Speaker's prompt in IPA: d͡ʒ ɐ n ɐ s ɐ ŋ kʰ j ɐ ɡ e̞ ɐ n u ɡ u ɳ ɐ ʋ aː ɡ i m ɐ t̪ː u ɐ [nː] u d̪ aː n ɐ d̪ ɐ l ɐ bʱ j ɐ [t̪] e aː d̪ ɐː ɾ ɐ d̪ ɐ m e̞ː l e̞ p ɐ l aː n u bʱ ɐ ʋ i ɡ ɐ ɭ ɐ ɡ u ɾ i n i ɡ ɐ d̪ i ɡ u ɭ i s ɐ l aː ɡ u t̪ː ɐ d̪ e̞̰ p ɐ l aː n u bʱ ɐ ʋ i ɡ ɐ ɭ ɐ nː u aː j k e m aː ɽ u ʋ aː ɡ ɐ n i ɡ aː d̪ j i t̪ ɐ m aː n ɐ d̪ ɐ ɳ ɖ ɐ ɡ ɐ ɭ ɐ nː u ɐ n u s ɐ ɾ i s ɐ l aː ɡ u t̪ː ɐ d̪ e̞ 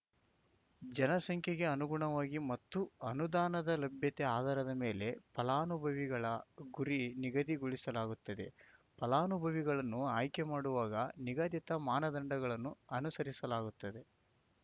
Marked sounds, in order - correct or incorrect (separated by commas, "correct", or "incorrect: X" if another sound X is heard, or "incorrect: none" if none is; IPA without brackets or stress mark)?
incorrect: n, correct